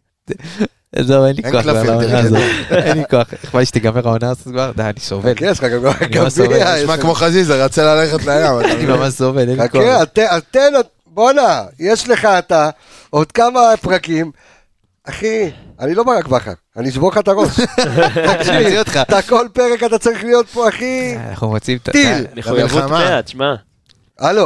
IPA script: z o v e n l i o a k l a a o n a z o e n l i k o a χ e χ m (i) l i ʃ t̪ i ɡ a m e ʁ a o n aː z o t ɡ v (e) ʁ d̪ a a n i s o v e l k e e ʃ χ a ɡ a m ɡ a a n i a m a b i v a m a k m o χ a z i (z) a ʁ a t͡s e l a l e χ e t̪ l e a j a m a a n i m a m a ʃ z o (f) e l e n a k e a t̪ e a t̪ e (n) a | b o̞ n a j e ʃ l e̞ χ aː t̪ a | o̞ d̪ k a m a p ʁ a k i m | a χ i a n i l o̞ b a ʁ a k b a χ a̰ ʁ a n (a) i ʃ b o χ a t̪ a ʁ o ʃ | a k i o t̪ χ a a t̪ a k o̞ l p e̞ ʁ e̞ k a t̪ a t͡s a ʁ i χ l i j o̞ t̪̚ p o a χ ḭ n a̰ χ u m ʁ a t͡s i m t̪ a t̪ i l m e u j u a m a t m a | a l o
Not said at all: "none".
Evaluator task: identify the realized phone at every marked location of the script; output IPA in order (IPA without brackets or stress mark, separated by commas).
a, a, z, v, n, i